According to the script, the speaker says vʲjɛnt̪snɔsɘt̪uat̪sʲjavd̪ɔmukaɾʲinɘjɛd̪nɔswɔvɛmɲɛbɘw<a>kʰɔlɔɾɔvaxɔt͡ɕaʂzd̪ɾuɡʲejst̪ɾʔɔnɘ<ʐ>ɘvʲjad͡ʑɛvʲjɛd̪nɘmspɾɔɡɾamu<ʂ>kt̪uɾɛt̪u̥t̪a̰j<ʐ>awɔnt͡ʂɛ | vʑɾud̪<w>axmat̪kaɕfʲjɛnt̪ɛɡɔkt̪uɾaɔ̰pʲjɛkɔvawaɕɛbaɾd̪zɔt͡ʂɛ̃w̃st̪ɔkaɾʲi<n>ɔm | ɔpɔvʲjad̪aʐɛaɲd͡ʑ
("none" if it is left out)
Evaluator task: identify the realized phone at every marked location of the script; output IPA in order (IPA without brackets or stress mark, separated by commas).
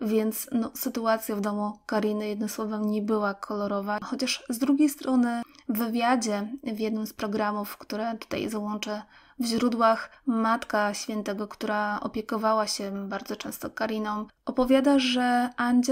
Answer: a, v, f, z, w, n